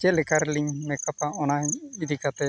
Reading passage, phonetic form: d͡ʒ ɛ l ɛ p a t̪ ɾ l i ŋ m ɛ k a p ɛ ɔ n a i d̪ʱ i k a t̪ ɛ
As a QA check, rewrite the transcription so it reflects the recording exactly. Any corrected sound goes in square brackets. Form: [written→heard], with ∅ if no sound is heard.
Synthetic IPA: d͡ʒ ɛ l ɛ [p→k] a [t̪→∅] ɾ l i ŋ m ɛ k a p [ɛ→a] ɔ n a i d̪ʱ i k a t̪ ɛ